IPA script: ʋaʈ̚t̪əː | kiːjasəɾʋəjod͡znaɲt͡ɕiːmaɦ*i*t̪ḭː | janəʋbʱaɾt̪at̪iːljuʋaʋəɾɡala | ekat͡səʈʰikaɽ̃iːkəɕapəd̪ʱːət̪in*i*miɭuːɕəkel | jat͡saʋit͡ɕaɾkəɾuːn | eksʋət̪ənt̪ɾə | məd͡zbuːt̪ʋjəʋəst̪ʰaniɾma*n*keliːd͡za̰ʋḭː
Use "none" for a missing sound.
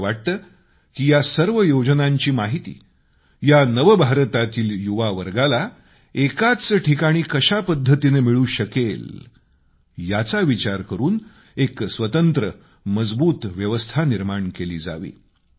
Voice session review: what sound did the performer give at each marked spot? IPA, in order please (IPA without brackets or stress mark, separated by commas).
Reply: i, e, ɳ